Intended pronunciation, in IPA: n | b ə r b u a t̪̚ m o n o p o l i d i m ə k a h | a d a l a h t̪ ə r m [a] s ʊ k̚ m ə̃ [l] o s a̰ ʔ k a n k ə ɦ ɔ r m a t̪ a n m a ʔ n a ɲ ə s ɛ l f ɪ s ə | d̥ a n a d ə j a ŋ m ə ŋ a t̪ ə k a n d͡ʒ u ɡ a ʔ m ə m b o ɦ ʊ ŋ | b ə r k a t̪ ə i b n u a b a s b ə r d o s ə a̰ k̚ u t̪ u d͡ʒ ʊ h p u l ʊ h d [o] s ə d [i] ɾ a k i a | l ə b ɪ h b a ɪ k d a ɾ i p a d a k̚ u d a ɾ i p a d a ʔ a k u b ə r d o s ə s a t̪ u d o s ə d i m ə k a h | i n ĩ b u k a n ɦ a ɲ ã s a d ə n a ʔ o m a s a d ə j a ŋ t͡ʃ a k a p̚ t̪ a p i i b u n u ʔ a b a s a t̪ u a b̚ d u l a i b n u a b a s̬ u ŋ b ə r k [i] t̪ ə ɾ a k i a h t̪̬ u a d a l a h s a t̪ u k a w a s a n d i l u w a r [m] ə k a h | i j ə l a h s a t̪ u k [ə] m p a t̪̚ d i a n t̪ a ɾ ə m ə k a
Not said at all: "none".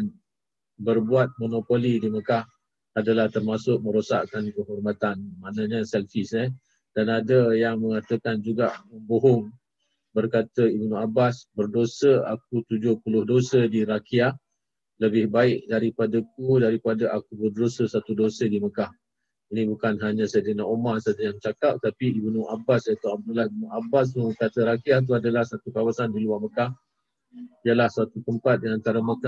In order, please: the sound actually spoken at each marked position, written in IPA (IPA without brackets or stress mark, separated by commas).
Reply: a, ɾ, o, i, a, m, ə